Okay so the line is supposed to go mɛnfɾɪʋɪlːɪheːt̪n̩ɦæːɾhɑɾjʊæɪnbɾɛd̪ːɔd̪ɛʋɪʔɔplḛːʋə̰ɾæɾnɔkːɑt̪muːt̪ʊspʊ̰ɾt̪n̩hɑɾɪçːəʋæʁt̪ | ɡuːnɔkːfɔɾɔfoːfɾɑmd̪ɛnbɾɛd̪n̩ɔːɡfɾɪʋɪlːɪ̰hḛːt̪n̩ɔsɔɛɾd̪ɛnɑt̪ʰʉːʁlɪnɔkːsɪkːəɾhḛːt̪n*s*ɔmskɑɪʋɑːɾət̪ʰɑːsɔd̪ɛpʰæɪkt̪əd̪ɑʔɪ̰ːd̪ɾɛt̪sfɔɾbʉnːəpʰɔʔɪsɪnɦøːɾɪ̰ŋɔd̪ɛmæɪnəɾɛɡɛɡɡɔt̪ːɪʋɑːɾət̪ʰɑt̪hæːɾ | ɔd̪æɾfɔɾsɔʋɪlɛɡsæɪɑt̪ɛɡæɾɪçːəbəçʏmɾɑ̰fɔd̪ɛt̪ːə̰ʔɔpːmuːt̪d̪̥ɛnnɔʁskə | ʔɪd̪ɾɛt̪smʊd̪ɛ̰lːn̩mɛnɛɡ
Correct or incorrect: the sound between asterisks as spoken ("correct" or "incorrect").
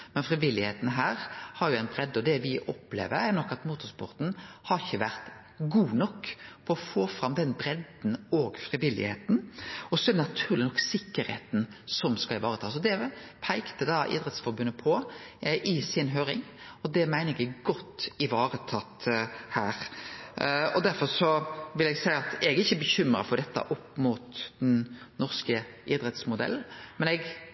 correct